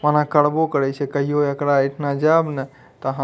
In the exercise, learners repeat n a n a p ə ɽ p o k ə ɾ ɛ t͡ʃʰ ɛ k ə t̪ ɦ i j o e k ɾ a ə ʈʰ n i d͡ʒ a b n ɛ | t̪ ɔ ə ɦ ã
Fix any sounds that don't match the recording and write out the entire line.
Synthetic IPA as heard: m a n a k ə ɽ b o k ə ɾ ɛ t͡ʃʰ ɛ k ə ɦ i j o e k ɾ a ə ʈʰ n a d͡ʒ a b n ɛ | t̪ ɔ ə ɦ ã